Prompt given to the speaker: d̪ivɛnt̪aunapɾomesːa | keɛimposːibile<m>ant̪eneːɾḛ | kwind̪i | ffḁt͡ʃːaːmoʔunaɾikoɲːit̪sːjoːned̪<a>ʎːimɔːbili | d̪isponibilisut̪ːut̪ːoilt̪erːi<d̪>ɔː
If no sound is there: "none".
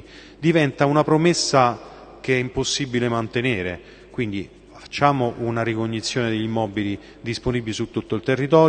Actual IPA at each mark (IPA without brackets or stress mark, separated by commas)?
m, e, t̪